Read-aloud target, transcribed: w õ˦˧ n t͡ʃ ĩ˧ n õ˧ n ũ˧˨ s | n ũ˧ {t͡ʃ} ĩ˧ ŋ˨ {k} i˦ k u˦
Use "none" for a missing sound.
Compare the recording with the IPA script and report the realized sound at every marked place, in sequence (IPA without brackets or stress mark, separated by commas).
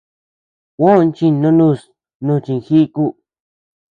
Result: t͡ʃ, x